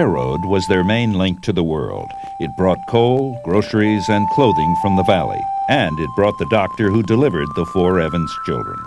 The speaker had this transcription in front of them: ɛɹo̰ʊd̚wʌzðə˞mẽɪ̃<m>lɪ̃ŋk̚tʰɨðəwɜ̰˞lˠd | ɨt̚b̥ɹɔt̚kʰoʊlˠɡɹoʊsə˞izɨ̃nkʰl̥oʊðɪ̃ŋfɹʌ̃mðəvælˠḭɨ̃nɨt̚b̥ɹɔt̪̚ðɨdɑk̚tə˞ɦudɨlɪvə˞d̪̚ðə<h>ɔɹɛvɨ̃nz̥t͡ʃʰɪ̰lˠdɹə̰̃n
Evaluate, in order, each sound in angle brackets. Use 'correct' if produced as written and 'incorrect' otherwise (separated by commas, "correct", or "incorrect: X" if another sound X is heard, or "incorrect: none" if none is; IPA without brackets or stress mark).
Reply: incorrect: n, incorrect: f